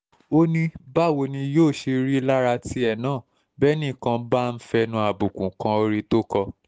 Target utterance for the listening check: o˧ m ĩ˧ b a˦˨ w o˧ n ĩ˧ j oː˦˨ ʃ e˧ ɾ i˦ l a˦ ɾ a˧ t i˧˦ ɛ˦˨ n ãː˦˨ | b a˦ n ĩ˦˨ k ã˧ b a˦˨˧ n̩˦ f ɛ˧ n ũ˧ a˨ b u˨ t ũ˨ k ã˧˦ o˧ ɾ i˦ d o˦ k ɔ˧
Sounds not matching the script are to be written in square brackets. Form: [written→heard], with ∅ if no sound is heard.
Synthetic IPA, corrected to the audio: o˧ [m→n] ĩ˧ b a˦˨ w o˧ n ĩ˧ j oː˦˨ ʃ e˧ ɾ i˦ l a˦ ɾ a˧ t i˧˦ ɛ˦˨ n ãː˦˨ | b [a˦→ɛ˦] n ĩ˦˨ k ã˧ b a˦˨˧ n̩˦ f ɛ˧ n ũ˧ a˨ b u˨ [t→k] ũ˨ k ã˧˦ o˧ ɾ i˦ [d→t] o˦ k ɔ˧